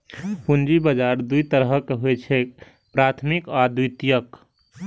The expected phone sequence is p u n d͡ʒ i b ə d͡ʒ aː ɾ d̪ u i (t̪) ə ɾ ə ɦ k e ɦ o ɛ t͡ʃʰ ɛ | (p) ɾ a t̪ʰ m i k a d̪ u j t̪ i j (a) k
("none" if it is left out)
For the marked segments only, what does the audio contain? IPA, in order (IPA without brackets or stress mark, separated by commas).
t̪, p, ə